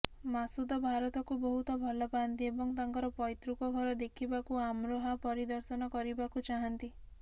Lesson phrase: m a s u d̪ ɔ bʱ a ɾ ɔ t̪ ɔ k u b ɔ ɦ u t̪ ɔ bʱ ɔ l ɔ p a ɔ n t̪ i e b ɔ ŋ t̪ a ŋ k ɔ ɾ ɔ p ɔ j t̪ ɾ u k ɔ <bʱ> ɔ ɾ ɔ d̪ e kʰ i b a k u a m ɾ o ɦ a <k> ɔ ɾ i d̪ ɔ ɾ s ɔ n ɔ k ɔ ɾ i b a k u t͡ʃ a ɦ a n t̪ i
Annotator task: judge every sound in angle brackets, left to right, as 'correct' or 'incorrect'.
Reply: incorrect: ɡʱ, incorrect: p

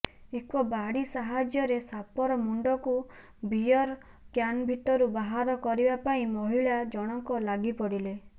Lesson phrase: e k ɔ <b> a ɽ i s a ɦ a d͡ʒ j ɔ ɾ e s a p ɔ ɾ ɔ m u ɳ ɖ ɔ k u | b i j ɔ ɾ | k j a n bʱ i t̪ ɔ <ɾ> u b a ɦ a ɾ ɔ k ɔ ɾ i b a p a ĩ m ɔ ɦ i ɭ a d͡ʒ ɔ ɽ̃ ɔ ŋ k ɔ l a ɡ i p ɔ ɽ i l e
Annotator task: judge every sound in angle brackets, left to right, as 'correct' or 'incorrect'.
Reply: correct, correct

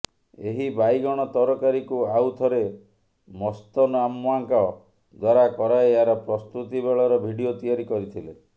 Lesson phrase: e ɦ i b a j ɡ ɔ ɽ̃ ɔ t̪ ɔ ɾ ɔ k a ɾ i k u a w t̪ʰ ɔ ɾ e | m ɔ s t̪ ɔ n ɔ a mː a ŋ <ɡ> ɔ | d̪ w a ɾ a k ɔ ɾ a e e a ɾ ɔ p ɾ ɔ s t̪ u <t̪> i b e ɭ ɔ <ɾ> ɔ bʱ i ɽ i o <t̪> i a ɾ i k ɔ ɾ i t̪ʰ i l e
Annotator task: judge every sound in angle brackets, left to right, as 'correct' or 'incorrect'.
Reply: incorrect: k, correct, correct, correct

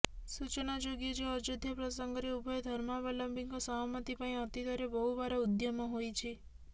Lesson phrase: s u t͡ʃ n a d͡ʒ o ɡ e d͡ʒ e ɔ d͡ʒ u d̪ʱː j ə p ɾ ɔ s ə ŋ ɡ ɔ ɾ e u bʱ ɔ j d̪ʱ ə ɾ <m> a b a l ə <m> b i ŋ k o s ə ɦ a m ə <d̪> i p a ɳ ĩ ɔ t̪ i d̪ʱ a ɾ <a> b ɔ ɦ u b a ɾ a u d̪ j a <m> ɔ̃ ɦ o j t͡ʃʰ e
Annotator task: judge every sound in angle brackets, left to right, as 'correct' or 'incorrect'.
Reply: correct, correct, incorrect: t̪, incorrect: e, correct

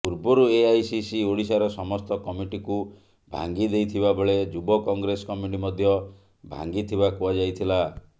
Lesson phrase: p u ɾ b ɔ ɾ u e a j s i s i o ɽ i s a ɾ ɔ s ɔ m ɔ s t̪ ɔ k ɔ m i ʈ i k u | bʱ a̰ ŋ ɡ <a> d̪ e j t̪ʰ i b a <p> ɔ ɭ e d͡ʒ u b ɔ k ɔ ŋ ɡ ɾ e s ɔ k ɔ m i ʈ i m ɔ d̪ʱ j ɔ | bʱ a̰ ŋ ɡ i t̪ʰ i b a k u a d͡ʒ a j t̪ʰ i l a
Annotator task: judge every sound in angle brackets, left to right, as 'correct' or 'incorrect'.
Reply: incorrect: i, incorrect: b

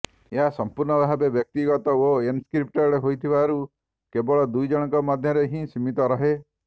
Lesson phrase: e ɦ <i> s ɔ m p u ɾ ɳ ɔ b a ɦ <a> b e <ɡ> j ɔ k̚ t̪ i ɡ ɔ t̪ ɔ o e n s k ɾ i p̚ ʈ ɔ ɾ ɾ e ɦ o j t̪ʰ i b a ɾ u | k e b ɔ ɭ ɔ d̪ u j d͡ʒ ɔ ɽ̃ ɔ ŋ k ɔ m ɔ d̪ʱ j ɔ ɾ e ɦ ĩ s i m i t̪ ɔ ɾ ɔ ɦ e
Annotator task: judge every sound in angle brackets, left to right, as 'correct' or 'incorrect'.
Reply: incorrect: a, correct, incorrect: b

